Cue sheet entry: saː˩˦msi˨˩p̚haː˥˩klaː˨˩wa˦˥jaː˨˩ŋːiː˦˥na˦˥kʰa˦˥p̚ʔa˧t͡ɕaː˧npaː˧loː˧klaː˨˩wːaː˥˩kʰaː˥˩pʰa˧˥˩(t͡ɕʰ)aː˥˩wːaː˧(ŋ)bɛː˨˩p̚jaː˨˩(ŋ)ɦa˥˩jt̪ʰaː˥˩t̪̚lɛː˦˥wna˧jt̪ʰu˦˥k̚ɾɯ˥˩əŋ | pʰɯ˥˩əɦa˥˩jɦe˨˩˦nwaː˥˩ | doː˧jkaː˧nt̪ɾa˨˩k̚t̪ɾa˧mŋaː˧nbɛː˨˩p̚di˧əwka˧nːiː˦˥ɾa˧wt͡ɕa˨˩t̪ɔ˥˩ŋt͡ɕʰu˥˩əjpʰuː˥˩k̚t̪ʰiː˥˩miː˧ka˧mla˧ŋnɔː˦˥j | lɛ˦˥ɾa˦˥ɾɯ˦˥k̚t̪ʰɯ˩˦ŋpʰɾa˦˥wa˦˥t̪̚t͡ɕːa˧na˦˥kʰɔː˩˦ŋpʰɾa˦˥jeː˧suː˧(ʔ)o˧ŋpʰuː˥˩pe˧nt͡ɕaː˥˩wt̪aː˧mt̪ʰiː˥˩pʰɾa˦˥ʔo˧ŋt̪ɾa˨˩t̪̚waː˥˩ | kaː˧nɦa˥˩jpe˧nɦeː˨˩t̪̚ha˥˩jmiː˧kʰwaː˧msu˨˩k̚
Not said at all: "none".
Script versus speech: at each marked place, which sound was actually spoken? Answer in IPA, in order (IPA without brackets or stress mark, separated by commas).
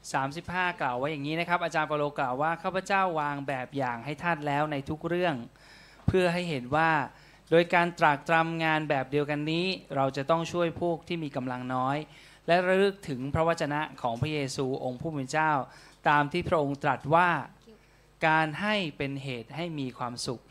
t͡ɕ, ŋ, ŋ, ʔ